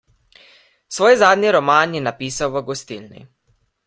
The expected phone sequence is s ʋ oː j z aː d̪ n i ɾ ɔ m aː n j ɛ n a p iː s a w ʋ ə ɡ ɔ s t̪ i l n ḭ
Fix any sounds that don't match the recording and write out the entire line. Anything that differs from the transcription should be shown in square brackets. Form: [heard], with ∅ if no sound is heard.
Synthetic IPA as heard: s ʋ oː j z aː d̪ n i ɾ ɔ m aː n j ɛ n a p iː s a w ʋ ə ɡ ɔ s t̪ i l n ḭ